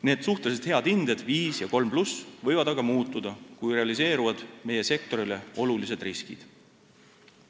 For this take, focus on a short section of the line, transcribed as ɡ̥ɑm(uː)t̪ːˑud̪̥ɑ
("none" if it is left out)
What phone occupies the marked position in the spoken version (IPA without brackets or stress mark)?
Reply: uː